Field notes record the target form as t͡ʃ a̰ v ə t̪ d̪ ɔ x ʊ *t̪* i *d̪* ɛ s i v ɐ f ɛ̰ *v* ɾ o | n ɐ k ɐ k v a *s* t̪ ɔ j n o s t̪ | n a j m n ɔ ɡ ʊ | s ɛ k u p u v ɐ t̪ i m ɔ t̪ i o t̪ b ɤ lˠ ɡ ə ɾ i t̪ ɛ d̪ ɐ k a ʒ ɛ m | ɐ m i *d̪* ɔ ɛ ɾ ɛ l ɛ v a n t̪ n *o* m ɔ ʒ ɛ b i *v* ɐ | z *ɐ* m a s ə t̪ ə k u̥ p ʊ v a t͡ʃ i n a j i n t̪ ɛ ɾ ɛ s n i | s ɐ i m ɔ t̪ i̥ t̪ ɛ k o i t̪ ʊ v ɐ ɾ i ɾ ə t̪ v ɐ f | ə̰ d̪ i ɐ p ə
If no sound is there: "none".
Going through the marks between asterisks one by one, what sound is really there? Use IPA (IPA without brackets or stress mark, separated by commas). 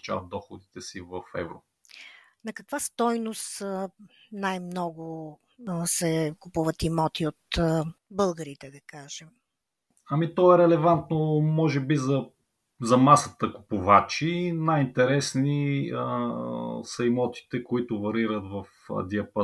d̪, t̪, v, s, t̪, o, z, ɐ